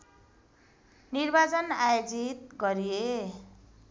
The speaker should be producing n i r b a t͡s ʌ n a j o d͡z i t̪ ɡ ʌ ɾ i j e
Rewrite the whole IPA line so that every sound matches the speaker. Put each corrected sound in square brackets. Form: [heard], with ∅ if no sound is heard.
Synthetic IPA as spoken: n i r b a t͡s ʌ n a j o d͡z i t̪ ɡ ʌ ɾ i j e